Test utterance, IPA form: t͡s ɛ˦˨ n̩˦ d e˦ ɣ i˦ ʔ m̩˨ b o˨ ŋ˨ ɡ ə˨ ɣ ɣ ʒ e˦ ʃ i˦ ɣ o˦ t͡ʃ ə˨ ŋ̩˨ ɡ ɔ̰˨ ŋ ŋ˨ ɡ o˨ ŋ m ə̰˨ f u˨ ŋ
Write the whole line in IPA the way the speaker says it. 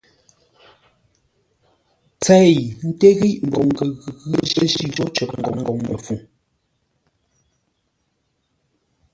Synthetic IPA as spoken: t͡s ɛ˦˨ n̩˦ t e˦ ɣ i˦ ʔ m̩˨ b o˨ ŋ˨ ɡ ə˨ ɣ ɣ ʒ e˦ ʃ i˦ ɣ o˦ t͡ʃ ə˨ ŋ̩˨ ɡ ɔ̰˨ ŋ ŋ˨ ɡ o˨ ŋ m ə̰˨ f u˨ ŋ